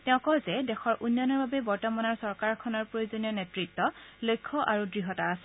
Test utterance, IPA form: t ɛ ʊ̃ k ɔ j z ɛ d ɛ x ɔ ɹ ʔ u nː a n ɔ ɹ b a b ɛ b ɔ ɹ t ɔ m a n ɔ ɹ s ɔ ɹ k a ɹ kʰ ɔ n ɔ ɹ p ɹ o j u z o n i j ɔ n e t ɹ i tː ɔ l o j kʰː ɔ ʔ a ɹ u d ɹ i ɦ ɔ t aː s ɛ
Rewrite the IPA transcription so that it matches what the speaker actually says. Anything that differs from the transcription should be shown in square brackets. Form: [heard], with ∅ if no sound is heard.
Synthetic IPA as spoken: t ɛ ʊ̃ k ɔ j z ɛ d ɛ x ɔ ɹ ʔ u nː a n ɔ ɹ b a b ɛ b ɔ ɹ t ɔ m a n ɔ ɹ s ɔ ɹ k a ɹ kʰ ɔ n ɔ ɹ p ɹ o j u z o n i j ɔ n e t ɹ i tː ɔ l o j kʰː ɔ ʔ a ɹ u d ɹ i ɦ ɔ t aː s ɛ

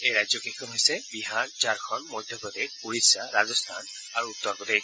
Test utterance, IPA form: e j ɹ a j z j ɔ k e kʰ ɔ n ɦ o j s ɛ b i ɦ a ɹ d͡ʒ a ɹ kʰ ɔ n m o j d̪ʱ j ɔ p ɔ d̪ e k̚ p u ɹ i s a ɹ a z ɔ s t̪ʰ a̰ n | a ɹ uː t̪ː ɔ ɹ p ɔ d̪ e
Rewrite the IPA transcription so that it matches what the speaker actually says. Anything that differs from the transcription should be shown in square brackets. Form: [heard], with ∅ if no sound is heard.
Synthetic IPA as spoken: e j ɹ a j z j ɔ k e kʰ ɔ n ɦ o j s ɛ b i ɦ a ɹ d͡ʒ a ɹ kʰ ɔ n m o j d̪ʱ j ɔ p ɔ d̪ e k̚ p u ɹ i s a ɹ a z ɔ s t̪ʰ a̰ n | a ɹ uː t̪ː ɔ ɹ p ɔ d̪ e

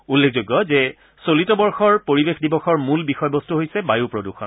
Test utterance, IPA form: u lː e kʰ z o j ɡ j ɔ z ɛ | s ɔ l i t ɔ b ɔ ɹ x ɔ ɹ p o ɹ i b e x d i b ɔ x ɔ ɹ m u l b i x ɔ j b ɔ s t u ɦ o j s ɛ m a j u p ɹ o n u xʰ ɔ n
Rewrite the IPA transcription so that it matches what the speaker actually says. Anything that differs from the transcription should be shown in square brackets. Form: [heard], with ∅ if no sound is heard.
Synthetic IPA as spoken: u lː e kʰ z o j ɡ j ɔ z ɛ | s [o] l i t ɔ b ɔ ɹ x ɔ ɹ p o ɹ i b e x d i b ɔ x ɔ ɹ m u l b i x ɔ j b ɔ s t u ɦ o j s ɛ [b] a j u p ɹ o [d] u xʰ ɔ n

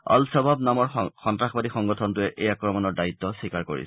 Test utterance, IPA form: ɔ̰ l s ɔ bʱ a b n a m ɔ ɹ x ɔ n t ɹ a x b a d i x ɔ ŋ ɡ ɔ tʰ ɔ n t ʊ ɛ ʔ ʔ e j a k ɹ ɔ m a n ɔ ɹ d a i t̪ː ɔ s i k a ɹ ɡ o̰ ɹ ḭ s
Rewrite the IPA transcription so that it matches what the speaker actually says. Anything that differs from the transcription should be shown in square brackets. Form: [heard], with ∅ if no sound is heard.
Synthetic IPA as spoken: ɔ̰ l s ɔ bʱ a b n a m ɔ ɹ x ɔ n t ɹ a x b a d i x ɔ ŋ ɡ ɔ tʰ ɔ n t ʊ ɛ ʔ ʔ e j a k ɹ ɔ m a n ɔ ɹ d a i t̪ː ɔ s i k a ɹ [k] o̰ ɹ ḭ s

